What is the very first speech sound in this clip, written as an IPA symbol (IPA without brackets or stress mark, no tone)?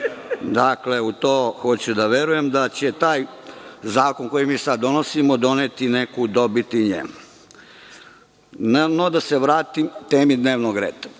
d̪